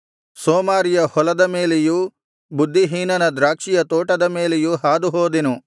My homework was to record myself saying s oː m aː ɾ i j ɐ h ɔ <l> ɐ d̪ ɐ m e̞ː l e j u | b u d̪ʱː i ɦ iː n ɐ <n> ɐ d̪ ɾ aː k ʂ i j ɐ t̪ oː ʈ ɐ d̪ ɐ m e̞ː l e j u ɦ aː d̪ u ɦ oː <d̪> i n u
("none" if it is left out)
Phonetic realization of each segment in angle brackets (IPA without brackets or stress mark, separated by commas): l, n, d̪